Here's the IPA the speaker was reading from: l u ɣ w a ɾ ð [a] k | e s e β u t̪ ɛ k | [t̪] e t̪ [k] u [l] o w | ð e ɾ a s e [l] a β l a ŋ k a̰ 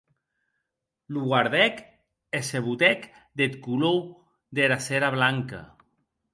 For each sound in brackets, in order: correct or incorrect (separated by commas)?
incorrect, incorrect, correct, correct, incorrect